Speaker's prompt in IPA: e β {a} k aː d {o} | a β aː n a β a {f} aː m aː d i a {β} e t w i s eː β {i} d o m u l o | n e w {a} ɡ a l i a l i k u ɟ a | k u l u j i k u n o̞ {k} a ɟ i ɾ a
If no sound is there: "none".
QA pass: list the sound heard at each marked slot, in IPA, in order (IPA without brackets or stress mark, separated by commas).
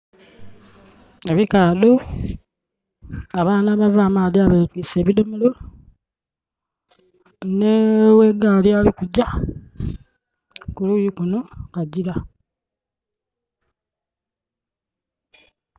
i, o, v, β, i, e, k